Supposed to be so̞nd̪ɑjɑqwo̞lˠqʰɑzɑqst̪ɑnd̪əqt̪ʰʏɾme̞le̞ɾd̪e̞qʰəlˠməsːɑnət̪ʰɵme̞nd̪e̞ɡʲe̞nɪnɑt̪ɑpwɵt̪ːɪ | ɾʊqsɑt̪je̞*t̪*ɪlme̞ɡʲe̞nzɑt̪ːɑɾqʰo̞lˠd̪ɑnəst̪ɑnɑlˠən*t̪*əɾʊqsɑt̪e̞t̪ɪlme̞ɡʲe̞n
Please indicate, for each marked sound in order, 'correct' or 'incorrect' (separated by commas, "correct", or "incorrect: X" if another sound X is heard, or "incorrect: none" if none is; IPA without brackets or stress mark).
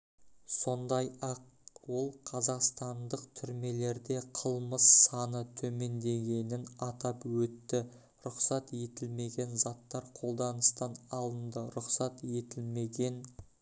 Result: correct, incorrect: d̪